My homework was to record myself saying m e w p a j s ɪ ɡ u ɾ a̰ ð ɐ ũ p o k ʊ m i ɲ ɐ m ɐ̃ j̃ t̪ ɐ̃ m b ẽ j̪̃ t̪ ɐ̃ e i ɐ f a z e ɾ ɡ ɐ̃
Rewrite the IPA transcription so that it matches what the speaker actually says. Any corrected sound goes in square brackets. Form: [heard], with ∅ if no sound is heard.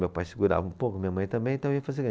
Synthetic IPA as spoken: m e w p a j s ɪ ɡ u ɾ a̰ [v] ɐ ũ p o k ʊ m i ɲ ɐ m ɐ̃ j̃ t̪ ɐ̃ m b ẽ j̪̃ t̪ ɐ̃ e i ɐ f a z e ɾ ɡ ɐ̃